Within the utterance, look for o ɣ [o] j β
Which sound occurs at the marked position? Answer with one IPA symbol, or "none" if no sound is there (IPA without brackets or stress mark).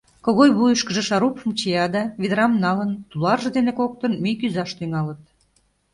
o